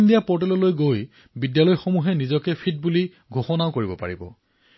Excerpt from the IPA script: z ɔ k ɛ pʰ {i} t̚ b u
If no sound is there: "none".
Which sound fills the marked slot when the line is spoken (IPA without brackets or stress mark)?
i